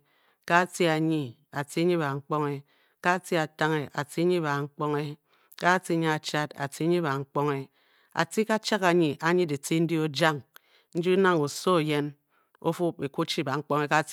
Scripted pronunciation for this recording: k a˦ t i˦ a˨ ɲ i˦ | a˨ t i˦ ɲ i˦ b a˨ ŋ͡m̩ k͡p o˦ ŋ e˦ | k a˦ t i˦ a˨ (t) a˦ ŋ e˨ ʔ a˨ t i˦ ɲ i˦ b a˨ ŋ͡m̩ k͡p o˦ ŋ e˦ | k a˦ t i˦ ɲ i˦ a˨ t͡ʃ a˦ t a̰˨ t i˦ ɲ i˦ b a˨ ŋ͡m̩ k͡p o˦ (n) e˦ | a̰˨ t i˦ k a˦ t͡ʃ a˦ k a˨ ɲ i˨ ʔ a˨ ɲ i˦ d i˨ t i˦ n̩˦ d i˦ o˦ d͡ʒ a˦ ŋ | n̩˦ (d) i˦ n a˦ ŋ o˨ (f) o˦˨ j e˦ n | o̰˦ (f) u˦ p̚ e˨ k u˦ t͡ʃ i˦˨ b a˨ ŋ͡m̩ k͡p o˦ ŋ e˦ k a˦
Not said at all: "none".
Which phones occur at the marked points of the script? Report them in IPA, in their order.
t, ŋ, d͡ʒ, s, f

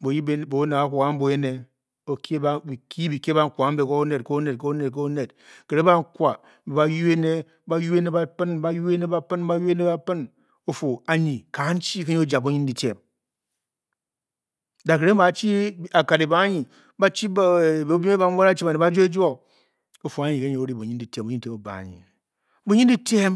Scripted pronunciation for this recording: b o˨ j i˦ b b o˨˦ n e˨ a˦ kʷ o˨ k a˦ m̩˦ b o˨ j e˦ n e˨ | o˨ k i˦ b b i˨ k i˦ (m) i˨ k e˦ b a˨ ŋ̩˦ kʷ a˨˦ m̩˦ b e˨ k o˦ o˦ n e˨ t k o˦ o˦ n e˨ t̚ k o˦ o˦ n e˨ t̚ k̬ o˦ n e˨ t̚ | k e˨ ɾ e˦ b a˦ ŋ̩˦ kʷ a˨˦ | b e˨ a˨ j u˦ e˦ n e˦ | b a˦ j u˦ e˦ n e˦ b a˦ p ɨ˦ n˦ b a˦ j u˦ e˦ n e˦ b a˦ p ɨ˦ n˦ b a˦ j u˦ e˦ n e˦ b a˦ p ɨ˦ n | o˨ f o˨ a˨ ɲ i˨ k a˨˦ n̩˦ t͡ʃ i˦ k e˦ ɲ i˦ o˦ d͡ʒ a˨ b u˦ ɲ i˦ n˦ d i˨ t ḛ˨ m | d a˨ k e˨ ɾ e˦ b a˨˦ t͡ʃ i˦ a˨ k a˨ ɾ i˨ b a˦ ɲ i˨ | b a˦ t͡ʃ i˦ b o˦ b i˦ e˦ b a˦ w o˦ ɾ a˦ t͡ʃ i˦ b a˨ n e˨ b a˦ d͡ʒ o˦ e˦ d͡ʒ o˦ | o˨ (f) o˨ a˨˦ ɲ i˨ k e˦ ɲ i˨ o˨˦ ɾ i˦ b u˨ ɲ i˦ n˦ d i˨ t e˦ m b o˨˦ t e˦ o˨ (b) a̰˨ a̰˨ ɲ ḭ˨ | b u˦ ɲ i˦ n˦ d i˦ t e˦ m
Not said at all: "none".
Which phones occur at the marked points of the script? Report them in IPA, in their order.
b, f, b

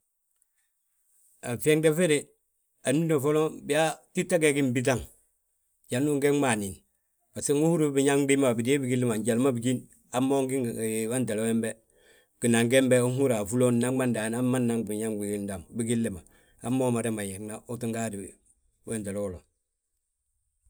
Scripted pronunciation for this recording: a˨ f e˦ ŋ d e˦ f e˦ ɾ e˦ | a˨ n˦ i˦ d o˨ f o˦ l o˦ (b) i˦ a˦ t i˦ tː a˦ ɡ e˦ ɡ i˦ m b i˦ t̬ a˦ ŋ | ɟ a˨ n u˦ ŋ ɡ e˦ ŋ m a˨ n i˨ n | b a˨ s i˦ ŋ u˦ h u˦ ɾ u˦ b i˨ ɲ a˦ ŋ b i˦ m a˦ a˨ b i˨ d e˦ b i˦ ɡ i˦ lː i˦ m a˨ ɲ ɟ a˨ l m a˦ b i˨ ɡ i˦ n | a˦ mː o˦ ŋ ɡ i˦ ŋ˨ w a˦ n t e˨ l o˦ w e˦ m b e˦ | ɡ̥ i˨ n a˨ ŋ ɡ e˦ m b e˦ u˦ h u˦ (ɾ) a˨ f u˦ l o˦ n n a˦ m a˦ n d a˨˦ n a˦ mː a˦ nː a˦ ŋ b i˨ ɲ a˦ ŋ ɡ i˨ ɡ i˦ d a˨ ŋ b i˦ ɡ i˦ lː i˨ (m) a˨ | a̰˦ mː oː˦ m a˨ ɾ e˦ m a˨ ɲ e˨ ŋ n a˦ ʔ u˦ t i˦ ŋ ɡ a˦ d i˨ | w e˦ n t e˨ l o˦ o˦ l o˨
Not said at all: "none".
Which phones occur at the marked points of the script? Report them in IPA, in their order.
b, ɾ, m

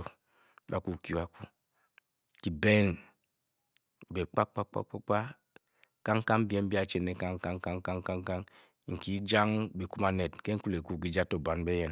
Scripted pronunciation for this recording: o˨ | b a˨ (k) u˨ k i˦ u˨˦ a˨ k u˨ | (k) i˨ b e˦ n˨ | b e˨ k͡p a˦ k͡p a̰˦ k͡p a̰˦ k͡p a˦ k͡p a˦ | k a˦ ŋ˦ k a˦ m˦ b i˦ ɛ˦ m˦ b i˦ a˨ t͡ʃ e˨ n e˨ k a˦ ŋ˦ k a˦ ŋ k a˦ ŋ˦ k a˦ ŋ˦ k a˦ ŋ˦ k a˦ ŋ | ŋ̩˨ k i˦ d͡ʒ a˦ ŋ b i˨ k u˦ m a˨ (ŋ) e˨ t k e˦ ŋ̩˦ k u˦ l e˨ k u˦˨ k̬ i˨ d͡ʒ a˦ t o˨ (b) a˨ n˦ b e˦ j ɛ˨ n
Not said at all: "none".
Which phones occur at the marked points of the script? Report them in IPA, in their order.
k, k, n, b

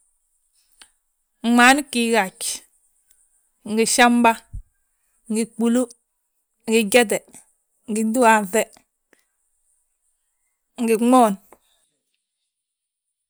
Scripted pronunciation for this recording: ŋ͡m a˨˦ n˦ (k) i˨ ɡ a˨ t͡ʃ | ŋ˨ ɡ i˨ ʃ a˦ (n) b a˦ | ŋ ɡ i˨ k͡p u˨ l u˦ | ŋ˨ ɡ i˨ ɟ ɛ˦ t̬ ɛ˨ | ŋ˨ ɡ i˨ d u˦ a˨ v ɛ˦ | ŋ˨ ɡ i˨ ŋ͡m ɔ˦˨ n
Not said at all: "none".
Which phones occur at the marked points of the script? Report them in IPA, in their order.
k, m

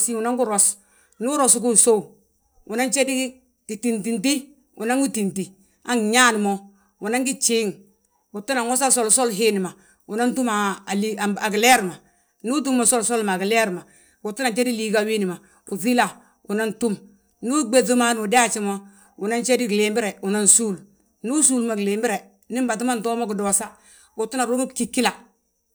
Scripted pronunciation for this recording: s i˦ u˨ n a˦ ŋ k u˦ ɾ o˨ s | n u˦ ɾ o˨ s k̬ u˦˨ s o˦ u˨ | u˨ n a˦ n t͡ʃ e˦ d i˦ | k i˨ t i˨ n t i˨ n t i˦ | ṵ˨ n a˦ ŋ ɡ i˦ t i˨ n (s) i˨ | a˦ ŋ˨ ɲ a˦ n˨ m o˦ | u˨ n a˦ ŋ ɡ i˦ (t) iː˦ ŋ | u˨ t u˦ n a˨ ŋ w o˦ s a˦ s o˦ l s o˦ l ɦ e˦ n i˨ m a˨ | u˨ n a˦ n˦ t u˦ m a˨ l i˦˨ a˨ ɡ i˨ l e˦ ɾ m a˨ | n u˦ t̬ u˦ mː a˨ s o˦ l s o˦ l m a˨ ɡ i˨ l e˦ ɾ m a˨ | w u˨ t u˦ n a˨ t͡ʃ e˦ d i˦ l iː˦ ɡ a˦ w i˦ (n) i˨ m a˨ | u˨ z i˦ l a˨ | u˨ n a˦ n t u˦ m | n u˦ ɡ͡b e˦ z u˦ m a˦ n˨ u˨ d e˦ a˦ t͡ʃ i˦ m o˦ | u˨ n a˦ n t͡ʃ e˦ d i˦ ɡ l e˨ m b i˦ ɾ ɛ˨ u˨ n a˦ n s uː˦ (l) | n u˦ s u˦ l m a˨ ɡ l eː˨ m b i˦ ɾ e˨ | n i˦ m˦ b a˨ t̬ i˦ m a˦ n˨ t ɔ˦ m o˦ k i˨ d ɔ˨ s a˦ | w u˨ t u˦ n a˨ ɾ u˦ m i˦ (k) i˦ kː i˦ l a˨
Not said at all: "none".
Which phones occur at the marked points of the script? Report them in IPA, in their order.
t, t͡ʃ, n, l, k

